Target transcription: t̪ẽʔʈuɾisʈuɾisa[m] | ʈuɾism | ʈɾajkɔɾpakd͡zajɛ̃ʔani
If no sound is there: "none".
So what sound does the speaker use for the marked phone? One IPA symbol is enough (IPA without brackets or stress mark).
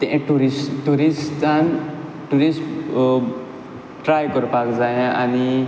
n